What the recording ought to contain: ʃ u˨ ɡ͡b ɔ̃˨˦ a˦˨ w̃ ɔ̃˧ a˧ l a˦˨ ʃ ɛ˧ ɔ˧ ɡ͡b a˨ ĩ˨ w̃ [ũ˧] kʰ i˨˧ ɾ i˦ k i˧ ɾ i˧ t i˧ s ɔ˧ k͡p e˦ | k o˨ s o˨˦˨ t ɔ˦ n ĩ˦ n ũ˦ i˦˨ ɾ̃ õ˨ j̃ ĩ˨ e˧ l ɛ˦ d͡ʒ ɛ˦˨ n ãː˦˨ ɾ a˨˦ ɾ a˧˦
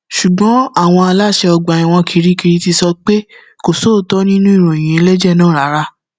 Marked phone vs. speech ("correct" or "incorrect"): incorrect